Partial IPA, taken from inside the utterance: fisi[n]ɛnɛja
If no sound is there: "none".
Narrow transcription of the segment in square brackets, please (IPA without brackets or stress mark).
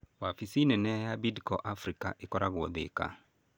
n